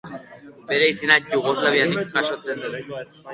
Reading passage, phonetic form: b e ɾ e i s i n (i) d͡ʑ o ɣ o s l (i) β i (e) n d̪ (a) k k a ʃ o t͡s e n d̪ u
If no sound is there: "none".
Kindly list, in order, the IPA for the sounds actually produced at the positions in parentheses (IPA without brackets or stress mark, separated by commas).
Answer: a, a, a, i